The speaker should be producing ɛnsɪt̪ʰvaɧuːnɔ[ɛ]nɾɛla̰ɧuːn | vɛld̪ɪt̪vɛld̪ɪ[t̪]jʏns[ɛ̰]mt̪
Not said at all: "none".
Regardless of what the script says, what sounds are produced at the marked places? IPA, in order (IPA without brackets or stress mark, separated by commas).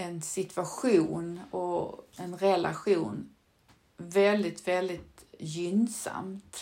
ɛ, t̪, a̰